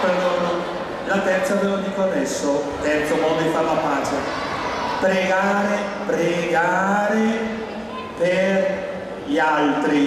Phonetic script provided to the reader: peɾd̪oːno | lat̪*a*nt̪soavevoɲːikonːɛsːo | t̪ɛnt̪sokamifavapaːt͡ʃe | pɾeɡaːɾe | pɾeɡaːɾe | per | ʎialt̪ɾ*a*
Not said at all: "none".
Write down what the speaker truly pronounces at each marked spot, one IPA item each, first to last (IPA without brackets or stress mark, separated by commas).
ɛ, i